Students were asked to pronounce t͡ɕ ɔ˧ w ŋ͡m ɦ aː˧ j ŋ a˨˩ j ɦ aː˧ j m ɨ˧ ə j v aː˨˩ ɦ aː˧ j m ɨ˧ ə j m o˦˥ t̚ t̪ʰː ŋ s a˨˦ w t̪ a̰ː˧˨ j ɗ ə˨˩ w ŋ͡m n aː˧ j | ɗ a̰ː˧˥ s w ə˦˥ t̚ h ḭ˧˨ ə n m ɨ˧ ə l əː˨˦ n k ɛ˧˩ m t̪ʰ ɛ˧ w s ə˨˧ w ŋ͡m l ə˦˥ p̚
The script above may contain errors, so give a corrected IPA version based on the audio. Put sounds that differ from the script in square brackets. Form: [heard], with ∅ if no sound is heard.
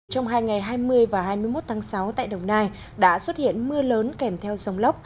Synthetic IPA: t͡ɕ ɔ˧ w ŋ͡m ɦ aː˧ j ŋ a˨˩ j ɦ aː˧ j m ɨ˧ ə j v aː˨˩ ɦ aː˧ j m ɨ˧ ə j m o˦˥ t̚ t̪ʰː ŋ s a˨˦ w t̪ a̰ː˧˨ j ɗ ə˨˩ w ŋ͡m n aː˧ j | ɗ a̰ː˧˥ s w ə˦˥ t̚ h ḭ˧˨ ə n m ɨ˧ ə l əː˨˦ n k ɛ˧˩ m t̪ʰ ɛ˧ w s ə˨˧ w ŋ͡m l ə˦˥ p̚